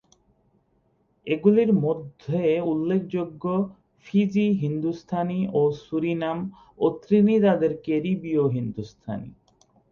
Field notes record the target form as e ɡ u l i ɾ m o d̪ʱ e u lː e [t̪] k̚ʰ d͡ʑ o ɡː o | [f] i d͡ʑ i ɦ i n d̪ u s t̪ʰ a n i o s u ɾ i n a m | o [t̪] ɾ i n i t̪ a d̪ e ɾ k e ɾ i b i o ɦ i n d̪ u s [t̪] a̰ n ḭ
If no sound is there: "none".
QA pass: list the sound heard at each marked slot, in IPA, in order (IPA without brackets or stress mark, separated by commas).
none, f, t̪, t̪ʰ